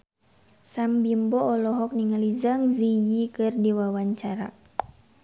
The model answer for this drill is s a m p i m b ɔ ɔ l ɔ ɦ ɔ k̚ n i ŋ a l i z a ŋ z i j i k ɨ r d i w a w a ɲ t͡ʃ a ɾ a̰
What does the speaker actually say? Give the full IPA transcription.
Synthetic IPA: s a m b i m b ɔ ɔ l ɔ ɦ ɔ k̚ n i ŋ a l i z a ŋ z i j i k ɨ r d i w a w a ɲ t͡ʃ a ɾ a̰